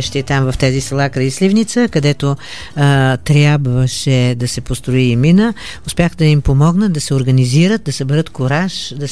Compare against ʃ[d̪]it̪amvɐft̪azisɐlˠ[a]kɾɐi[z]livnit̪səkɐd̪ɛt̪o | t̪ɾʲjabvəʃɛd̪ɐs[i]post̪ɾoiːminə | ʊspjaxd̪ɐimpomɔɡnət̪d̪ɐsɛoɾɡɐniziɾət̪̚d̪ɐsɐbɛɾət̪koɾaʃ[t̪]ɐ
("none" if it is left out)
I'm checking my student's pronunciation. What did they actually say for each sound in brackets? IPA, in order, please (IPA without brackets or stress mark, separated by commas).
t̪, a, s, ɛ, d̪